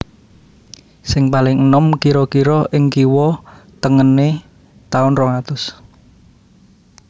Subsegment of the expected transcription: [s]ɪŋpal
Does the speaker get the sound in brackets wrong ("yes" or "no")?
no